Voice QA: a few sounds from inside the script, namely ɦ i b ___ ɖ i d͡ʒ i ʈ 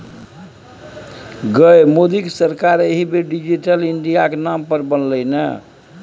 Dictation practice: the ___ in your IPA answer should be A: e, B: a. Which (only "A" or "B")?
A